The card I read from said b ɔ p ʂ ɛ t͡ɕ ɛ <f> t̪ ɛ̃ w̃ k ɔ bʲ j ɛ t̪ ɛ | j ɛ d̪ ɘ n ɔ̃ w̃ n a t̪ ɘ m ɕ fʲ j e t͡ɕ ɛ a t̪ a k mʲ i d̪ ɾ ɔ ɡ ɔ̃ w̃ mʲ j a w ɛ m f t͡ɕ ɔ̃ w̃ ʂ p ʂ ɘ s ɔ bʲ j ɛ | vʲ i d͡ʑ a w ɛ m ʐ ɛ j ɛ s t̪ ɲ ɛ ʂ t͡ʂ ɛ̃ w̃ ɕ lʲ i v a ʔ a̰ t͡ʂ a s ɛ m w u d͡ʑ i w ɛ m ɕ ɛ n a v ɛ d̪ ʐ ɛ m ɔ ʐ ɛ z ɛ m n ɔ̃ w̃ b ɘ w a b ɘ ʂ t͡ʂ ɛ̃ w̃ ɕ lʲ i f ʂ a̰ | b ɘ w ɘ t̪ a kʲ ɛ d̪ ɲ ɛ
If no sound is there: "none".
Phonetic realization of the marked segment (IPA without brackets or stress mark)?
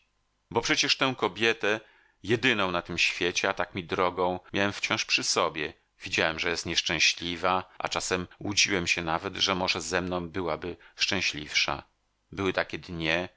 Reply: ʂ